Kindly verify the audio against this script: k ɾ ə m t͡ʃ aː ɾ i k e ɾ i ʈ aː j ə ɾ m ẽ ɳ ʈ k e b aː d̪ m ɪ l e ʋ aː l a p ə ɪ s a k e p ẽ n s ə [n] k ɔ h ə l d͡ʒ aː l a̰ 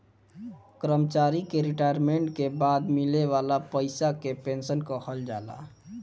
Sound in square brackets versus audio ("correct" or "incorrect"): correct